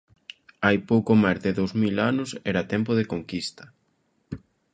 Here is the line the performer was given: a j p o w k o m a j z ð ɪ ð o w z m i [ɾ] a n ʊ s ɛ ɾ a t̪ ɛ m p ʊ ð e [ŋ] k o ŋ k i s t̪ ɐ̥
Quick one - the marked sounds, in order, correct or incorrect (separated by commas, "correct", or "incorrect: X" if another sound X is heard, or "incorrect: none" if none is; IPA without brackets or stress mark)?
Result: incorrect: l, incorrect: none